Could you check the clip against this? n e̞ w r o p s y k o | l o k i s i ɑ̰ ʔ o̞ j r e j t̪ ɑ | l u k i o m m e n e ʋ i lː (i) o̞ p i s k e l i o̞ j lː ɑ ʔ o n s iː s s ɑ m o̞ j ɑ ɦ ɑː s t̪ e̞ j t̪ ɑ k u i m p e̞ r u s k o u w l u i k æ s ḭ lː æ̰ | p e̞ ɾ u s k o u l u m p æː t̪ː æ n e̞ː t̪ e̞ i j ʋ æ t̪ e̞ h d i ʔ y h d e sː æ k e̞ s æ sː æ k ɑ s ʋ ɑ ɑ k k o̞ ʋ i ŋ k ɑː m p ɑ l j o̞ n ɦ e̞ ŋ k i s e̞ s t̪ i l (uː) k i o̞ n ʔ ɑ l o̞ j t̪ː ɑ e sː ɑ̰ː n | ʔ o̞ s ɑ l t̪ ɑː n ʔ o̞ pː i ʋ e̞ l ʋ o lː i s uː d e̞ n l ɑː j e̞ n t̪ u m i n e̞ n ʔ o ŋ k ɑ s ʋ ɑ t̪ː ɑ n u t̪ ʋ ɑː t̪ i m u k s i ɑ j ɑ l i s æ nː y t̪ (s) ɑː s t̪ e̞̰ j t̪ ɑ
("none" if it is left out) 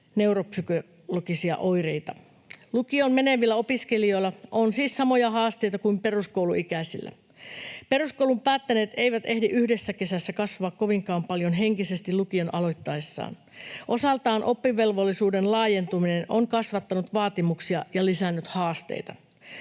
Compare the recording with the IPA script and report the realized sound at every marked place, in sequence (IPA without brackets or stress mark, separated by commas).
æ, u, h